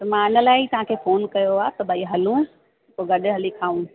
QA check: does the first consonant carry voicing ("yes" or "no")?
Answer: no